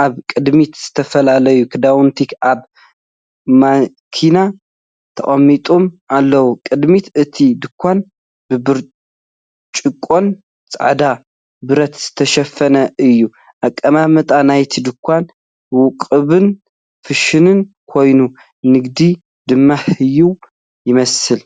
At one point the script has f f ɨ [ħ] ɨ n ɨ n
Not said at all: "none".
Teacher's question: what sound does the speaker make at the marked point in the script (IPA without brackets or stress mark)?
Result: ʃ